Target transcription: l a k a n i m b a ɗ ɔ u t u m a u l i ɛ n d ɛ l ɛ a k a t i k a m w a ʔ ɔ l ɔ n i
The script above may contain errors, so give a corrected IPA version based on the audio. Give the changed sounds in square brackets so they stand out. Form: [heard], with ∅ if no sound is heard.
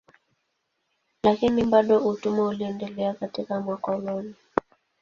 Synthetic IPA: l a k [i] n i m b a ɗ ɔ u t u m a u l i ɛ n d ɛ l ɛ a k a t i k a m w a [k] ɔ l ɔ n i